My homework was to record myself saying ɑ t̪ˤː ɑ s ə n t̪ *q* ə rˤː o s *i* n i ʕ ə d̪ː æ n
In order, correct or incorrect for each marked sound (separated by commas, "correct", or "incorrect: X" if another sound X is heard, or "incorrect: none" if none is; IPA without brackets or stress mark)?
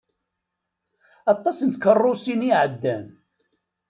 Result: incorrect: k, correct